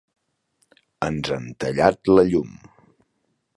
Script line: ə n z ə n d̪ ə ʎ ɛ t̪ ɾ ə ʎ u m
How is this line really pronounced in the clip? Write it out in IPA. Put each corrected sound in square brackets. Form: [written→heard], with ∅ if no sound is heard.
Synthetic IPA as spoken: ə n z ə n [d̪→t̪] ə ʎ [ɛ→a] t̪ [ɾ→l] ə ʎ u m